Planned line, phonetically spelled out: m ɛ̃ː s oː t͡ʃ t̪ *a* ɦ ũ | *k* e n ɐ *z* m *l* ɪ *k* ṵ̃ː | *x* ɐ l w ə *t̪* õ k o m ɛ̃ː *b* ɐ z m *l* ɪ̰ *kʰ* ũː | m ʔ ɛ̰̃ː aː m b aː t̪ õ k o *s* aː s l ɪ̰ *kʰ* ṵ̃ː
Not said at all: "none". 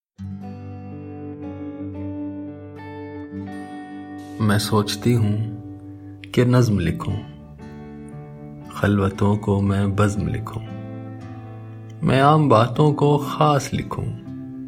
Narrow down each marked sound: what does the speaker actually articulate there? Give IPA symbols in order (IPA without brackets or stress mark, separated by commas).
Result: i, k, z, l, kʰ, x, t̪, b, l, kʰ, x, kʰ